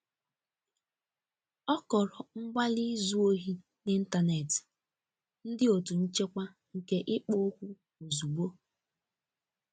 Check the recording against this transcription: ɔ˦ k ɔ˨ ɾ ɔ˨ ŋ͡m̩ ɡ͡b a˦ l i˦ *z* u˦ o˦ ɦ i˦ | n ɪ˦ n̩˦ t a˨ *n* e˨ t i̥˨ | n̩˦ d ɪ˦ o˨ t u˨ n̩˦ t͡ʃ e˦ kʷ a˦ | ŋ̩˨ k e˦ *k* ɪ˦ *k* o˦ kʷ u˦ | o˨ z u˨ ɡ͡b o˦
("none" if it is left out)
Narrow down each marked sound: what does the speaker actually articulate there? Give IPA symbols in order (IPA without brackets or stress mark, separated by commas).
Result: z, n, ʔ, k͡p